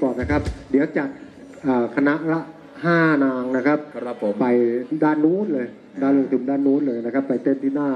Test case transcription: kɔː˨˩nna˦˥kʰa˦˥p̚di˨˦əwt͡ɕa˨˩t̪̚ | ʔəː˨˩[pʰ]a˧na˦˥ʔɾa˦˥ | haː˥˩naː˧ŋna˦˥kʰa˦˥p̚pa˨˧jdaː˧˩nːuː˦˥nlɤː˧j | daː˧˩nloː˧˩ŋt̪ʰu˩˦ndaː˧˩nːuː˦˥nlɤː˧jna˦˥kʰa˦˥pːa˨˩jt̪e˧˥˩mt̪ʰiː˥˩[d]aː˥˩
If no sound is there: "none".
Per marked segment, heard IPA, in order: kʰ, n

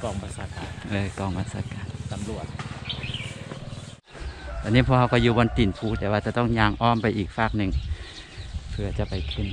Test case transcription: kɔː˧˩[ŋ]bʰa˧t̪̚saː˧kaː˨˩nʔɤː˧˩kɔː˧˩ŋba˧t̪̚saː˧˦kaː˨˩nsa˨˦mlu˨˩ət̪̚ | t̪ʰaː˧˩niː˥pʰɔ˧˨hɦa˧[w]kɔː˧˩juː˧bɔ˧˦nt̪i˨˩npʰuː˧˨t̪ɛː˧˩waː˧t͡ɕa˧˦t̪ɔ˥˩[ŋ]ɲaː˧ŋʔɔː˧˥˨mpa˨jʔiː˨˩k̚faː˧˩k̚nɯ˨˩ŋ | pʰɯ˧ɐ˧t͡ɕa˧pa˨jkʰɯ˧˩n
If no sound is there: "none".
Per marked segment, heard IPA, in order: ŋ, w, ŋ

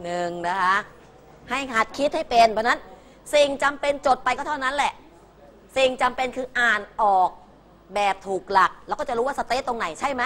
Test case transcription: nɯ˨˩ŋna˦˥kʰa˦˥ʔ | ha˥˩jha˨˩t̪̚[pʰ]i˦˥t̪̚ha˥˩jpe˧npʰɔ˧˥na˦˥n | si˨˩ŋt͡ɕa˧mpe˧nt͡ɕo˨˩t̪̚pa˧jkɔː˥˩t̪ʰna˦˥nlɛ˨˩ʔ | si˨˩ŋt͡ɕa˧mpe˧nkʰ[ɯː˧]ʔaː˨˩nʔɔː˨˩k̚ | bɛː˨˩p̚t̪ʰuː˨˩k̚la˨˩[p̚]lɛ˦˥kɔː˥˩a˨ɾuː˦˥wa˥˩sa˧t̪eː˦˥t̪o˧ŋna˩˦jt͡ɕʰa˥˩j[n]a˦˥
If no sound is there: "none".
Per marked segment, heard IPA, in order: kʰ, ɯː˧, k̚, m

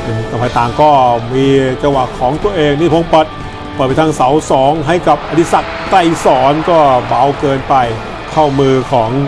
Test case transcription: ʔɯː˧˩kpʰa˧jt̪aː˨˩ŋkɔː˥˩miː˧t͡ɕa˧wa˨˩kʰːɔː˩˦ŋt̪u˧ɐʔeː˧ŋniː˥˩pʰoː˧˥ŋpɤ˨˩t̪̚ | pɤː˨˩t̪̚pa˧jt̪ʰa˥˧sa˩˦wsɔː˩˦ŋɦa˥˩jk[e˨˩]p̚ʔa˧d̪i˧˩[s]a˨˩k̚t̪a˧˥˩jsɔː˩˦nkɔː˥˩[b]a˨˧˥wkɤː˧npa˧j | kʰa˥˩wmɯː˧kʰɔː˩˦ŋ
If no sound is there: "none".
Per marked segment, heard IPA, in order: a˨˩, s, b

